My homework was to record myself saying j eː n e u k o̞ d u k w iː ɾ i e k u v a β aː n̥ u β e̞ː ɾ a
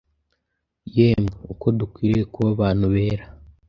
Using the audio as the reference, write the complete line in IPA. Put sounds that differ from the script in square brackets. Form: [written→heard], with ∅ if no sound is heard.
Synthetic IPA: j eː [n→m] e u k o̞ d u k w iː ɾ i e k u [v→β] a β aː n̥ u β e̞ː ɾ a

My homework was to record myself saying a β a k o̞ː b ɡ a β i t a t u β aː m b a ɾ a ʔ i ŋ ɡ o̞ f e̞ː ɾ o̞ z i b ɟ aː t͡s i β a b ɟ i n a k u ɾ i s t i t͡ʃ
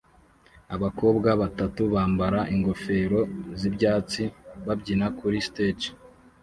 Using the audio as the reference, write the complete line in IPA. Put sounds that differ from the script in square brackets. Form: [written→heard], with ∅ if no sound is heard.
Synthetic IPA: a β a k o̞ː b ɡ a β [i→a] t a t u β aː m b a ɾ a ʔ i ŋ ɡ o̞ f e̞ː ɾ o̞ z i b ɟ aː t͡s i β a b ɟ i n a k u ɾ i s t [i→e] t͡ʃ

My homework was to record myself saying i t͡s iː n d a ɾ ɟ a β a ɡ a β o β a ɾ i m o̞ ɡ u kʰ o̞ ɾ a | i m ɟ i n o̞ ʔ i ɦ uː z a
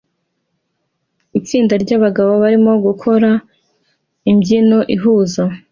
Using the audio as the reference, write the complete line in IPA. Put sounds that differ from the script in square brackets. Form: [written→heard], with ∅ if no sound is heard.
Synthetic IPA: i t͡s iː n d a ɾ ɟ a β a ɡ a β o β a ɾ i m o̞ ɡ u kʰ o̞ ɾ a | i m ɟ i n o̞ ʔ i ɦ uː z a

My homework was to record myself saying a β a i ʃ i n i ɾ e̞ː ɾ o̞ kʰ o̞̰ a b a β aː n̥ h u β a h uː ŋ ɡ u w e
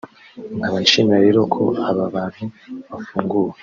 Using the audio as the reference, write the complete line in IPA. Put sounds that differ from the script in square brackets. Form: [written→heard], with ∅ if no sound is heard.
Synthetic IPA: a β a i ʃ i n [i→a] ɾ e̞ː ɾ o̞ kʰ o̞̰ a [b→β] a β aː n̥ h u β a [h→f] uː ŋ ɡ u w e

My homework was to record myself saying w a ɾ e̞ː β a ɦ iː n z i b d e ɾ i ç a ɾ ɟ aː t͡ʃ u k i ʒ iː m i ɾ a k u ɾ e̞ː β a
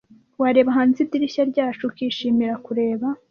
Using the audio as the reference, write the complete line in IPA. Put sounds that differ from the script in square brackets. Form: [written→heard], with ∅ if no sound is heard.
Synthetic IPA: w a ɾ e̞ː β a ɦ [iː→aː] n z i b d [e→i] ɾ i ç a ɾ ɟ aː t͡ʃ u k i [ʒ→ʃ] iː m i ɾ a k u ɾ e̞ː β a

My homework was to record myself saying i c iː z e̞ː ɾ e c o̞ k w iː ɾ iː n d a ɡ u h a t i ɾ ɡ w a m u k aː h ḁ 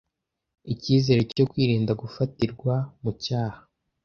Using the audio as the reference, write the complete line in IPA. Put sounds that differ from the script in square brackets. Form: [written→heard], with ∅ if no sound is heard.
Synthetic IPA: i c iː z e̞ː ɾ e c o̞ k w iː ɾ iː n d a ɡ u [h→f] a t i ɾ ɡ w a m u [k→c] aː h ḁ

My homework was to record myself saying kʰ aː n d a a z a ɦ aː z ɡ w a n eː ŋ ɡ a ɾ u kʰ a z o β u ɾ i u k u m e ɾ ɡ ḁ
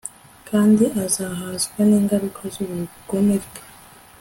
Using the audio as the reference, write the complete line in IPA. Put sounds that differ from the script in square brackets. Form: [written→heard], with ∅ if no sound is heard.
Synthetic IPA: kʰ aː n d [a→i] a z a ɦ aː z ɡ w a n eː ŋ ɡ a ɾ u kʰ a z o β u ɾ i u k [u→o] m e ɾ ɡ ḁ

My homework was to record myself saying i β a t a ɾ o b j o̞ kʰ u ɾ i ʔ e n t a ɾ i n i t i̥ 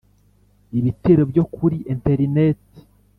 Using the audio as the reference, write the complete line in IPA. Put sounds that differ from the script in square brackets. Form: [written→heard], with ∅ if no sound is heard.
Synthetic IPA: i β [a→i] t [a→e] ɾ o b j o̞ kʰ u ɾ i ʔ e n t [a→e] ɾ i n [i→e] t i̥

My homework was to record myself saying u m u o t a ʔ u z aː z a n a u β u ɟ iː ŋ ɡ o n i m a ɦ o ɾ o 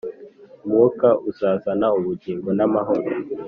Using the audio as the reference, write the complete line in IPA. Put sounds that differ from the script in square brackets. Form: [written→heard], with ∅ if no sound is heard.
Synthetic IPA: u m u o [t→k] a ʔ u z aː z a n a u β u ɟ iː ŋ ɡ o n [i→a] m a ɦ o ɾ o

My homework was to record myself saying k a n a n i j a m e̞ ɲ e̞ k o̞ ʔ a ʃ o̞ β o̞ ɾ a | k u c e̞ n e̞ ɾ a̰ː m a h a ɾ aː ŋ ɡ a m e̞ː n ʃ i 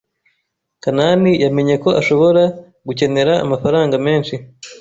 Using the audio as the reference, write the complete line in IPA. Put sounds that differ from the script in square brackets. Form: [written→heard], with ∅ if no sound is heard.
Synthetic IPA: k a n a n i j a m e̞ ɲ e̞ k o̞ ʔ a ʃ o̞ β o̞ ɾ a | [k→ɡ] u c e̞ n e̞ ɾ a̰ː m a [h→f] a ɾ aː ŋ ɡ a m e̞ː n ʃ i

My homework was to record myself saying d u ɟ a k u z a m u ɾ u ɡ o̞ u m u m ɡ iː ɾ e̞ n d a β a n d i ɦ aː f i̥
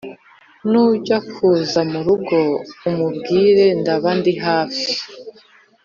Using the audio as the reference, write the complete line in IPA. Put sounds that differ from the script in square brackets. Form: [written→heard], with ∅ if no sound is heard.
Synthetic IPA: [d→n] u ɟ a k u z a m u ɾ u ɡ o̞ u m u [m→b] ɡ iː ɾ e̞ n d a β a n d i ɦ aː f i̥

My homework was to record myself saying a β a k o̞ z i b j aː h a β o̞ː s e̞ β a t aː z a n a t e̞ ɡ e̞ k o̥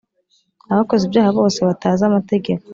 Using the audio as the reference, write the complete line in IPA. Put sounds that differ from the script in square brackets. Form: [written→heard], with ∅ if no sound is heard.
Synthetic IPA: a β a k o̞ z i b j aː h a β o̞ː s e̞ β a t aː z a [n→m] a t e̞ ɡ e̞ k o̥

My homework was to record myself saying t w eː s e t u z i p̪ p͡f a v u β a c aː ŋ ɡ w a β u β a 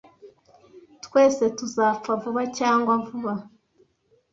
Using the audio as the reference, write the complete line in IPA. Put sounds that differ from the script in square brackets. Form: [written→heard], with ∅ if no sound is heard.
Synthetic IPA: t w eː s e t u z [i→a] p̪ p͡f a v u β a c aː ŋ ɡ w a [β→v] u β a

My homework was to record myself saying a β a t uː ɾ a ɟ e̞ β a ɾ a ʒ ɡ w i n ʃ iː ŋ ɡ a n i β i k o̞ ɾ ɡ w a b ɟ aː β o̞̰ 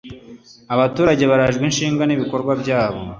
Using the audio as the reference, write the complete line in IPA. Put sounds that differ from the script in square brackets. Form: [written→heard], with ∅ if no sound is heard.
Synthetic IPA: a β a t uː ɾ a ɟ e̞ β a ɾ a ʒ ɡ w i n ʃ iː ŋ ɡ a n i β i k o̞ ɾ ɡ w a b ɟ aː β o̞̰

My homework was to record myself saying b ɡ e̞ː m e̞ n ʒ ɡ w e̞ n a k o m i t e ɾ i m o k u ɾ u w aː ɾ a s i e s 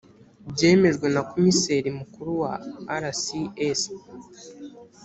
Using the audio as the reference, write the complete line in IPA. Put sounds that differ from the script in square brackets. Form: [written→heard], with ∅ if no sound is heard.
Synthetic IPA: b [ɡ→ɟ] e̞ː m e̞ [n→∅] ʒ ɡ w e̞ n a k o m i [t→s] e ɾ i m [o→u] k u ɾ u w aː ɾ a s i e s

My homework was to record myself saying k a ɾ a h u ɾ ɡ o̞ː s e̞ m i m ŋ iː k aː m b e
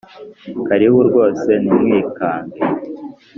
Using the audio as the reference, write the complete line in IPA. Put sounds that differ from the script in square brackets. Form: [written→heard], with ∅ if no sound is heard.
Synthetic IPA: k a ɾ [a→i] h u ɾ ɡ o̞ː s e̞ [m→n] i m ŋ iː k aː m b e

